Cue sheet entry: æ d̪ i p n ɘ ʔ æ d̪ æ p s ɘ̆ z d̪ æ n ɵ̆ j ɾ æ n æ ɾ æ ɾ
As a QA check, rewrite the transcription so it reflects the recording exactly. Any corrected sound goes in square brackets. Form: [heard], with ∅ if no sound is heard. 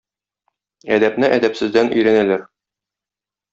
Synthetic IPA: æ d̪ [æ] p n ɘ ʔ æ d̪ æ p s ɘ̆ z d̪ æ n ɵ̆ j ɾ æ n æ [l] æ ɾ